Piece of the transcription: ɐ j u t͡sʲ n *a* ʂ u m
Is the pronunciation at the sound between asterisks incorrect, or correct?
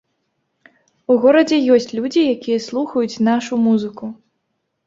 correct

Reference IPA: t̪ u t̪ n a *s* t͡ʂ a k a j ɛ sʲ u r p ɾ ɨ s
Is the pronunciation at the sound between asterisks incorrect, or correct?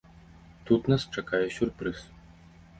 correct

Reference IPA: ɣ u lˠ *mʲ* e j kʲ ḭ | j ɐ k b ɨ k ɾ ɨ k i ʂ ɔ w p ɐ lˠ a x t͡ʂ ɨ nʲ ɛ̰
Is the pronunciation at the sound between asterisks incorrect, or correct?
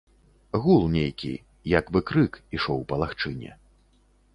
incorrect: nʲ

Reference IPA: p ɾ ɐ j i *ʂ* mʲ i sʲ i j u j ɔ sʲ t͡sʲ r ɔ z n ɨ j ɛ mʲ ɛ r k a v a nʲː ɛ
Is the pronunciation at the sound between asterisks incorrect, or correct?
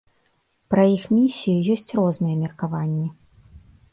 incorrect: x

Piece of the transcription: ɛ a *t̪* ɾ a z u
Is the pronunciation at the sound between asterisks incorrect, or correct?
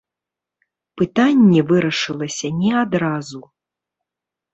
incorrect: d̪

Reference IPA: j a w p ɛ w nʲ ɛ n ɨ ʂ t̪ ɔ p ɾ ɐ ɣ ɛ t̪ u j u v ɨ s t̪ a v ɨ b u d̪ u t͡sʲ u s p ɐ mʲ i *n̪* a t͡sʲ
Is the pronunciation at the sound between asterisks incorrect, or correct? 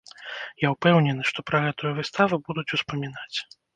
correct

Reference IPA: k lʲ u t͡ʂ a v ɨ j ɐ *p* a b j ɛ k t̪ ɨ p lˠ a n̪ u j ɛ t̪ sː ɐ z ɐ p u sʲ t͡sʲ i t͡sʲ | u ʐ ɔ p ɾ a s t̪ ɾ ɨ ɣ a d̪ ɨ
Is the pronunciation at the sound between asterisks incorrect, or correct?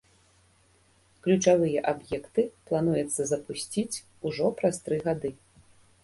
incorrect: ʔ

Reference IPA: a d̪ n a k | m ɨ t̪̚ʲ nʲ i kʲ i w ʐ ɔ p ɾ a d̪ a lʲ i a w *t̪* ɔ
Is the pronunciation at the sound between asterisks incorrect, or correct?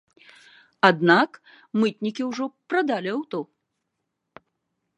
correct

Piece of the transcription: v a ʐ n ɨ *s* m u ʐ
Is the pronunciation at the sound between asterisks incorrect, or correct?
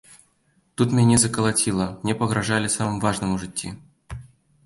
incorrect: none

